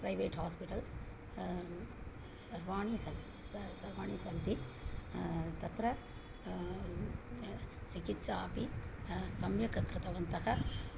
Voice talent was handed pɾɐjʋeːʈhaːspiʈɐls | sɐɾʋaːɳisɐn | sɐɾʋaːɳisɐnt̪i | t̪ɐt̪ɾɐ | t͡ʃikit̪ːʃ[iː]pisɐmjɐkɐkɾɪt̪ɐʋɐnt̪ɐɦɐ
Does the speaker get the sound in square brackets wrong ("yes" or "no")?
yes